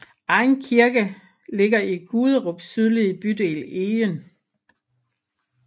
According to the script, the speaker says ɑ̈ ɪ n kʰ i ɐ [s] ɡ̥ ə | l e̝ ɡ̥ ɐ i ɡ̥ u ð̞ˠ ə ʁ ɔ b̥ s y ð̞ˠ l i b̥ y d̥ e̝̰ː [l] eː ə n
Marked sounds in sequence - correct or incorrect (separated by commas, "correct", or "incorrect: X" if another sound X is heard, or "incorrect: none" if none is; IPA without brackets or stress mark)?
incorrect: none, correct